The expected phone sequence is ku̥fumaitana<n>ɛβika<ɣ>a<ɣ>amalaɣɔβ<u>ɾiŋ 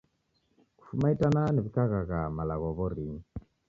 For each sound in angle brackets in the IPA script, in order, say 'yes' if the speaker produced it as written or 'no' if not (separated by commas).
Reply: yes, yes, yes, no